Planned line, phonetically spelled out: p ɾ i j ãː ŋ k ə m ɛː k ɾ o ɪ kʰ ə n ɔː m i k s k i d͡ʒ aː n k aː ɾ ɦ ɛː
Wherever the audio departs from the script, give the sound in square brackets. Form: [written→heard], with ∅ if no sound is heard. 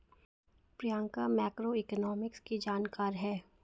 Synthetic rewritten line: p ɾ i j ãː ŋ k [ə→a] m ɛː k ɾ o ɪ [kʰ→k] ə n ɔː m [i→ɪ] k s k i d͡ʒ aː n k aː ɾ ɦ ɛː

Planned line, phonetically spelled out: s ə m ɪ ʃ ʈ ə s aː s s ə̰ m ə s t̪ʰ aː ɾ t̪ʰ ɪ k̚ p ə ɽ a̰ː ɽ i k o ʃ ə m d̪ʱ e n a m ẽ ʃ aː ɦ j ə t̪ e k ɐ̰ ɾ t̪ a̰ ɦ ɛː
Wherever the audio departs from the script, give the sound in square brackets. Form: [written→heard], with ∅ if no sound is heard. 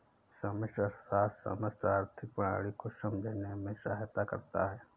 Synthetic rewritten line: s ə m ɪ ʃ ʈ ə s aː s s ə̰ m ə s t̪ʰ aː ɾ t̪ʰ ɪ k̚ p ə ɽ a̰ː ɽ i k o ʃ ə m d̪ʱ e n [a→e] m ẽ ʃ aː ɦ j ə t̪ [e→a] k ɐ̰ ɾ t̪ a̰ ɦ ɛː

